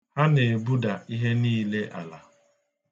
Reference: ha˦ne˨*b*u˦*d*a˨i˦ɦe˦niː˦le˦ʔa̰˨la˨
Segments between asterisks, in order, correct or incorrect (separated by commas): correct, correct